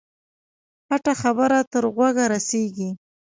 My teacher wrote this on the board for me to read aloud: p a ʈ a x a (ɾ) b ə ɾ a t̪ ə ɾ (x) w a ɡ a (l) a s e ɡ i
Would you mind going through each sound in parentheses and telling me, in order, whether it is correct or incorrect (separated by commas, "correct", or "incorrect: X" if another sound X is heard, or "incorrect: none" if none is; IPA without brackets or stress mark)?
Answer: incorrect: none, incorrect: ɣ, incorrect: ɾ